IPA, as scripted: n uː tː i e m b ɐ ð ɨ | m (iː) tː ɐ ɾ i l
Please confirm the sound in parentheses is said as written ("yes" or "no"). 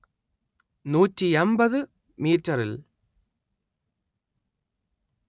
yes